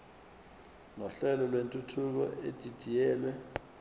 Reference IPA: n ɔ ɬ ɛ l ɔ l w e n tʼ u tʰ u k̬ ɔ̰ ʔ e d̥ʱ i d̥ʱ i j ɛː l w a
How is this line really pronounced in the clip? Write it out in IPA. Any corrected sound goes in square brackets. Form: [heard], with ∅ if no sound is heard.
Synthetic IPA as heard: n ɔ ɬ ɛ l ɔ l w e n tʼ u tʰ u k̬ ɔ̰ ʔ e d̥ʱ i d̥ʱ i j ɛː l w [ɛ]